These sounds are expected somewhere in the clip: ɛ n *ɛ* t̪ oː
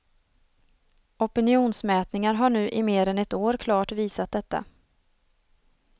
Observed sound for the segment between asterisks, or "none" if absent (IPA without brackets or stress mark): ɛ